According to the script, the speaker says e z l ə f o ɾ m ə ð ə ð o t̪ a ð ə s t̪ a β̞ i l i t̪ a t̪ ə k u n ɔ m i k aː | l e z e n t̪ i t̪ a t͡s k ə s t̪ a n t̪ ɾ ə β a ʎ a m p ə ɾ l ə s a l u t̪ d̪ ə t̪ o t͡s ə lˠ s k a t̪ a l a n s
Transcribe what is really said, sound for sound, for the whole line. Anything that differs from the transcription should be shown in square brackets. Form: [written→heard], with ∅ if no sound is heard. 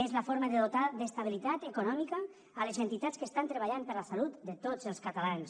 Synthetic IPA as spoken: e z l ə f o ɾ m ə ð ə ð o t̪ a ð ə s t̪ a β̞ i l i t̪ a t̪ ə k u n ɔ m i k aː | l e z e n t̪ i t̪ a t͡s k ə s t̪ a n t̪ ɾ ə β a ʎ a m p ə ɾ l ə s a l u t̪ d̪ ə t̪ o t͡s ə lˠ s k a t̪ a l a n s